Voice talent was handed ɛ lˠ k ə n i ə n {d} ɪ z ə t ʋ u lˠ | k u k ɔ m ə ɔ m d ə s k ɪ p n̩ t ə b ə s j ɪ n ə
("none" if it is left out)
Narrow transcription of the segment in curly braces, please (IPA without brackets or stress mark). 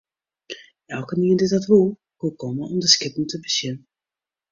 d